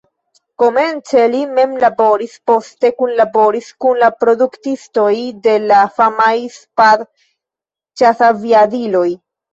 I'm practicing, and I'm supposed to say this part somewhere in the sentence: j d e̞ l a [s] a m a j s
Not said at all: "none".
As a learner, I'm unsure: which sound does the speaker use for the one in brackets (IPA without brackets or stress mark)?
f